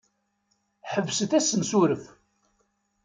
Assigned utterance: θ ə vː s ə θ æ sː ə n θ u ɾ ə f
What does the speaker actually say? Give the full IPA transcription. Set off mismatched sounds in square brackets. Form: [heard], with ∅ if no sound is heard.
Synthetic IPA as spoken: [ħ] ə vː s ə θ æ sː ə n [s] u ɾ ə f